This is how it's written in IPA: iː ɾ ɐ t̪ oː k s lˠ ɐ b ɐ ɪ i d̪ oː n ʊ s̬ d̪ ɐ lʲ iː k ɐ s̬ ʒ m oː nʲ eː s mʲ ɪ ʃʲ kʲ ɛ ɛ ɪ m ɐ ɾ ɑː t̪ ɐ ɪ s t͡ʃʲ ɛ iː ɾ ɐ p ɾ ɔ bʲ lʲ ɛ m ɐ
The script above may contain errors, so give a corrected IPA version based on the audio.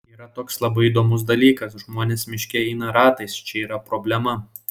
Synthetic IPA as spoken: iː ɾ ɐ t̪ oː k s lˠ ɐ b ɐ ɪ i d̪ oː m ʊ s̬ d̪ ɐ lʲ iː k ɐ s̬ ʒ m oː nʲ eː s mʲ ɪ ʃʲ kʲ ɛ ɛ ɪ n ɐ ɾ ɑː t̪ ɐ ɪ s t͡ʃʲ ɛ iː ɾ ɐ p ɾ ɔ bʲ lʲ ɛ m ɐ

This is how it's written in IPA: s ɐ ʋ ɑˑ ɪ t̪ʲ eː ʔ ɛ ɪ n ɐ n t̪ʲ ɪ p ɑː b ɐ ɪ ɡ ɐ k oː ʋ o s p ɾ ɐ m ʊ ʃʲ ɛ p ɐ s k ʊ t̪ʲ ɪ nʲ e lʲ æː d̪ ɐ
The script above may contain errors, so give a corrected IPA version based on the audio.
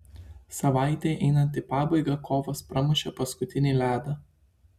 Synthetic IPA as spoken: s ɐ ʋ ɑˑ ɪ t̪ʲ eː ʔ ɛ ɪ n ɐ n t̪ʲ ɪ p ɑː b ɐ ɪ ɡ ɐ k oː ʋ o s p ɾ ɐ m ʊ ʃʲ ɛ p ɐ s k ʊ t̪ʲ ɪ nʲ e lʲ æː d̪ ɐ

